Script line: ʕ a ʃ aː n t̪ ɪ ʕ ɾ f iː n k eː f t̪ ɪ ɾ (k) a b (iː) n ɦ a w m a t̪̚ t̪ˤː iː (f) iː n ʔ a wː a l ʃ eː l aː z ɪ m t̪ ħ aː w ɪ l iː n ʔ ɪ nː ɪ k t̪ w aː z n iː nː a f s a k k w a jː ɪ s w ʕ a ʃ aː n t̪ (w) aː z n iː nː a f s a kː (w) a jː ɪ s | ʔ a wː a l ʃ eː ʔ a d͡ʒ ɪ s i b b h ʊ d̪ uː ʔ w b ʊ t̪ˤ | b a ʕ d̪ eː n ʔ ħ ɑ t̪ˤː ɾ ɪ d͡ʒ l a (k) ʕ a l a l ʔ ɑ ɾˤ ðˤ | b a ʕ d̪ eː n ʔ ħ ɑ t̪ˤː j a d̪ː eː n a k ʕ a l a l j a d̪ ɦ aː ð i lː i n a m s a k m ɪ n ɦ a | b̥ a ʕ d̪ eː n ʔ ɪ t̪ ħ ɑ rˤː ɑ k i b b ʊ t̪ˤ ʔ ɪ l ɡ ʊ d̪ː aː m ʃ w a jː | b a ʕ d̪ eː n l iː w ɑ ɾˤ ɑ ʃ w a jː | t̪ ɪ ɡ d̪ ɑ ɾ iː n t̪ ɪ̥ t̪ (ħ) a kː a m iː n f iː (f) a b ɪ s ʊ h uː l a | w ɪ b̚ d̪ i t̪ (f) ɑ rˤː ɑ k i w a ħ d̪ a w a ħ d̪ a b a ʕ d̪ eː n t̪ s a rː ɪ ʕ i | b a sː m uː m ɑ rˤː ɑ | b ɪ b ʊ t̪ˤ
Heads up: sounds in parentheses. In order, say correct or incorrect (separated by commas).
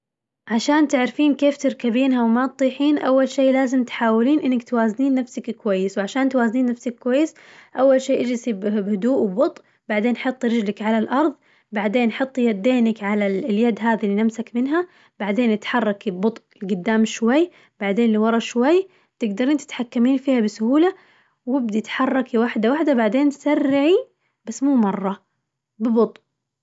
correct, correct, incorrect, correct, correct, correct, correct, incorrect, incorrect